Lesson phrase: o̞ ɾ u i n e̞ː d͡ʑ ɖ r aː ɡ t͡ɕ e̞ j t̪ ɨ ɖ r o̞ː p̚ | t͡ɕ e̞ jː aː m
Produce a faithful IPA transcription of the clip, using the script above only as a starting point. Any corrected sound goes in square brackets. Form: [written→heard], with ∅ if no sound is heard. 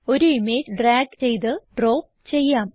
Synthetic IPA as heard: o̞ ɾ u i [n→m] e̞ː d͡ʑ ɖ r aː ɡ t͡ɕ e̞ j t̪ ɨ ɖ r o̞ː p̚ | t͡ɕ e̞ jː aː m